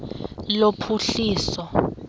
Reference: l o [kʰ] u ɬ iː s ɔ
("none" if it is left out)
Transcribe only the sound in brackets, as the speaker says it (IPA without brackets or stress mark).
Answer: pʰ